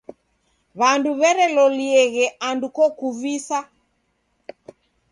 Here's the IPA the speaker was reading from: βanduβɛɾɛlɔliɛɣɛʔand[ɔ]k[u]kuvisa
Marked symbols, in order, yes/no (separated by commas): no, no